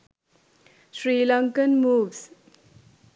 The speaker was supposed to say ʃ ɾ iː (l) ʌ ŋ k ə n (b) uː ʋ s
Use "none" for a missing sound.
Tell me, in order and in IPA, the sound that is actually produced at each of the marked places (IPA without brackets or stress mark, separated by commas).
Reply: l, m